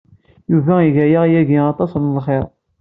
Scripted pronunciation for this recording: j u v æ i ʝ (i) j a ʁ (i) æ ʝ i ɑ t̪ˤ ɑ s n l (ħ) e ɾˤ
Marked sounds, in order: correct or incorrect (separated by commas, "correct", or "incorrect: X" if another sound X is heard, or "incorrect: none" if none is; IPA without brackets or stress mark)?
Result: incorrect: æ, incorrect: j, incorrect: χ